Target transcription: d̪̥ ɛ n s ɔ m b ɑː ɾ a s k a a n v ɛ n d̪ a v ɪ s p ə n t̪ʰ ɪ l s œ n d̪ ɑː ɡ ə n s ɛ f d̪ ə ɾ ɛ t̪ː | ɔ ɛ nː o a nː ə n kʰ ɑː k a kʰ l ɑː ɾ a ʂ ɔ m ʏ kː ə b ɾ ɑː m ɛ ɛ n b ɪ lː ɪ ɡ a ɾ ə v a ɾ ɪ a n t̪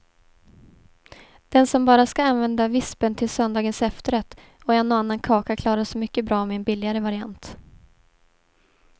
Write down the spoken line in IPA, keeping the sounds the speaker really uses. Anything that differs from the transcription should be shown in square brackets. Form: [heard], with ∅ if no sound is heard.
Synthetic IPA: d̪̥ ɛ n s ɔ m b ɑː ɾ a s k a a n v ɛ n d̪ a v ɪ s p ə n t̪ʰ ɪ l s œ n d̪ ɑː ɡ ə n s ɛ f [t̪] ə ɾ ɛ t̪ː | ɔ ɛ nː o a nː [a] n kʰ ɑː k a kʰ l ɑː ɾ a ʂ ɔ m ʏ kː ə b ɾ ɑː m ɛ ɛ n b ɪ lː ɪ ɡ a ɾ ə v a ɾ ɪ a n t̪